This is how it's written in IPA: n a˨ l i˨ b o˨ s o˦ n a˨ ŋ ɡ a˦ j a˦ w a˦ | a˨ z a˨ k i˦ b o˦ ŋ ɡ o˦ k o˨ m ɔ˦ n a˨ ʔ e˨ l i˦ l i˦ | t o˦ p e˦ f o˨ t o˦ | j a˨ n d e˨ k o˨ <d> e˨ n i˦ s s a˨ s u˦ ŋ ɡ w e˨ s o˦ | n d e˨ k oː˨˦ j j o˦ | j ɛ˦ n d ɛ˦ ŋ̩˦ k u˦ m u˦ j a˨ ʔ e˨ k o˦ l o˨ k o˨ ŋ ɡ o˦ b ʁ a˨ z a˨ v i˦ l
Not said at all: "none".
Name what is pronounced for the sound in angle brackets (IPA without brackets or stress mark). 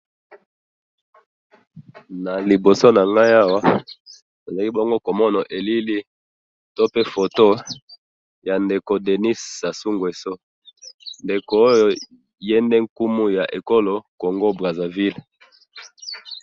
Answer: d